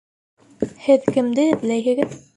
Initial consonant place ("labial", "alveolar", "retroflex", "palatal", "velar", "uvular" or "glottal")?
glottal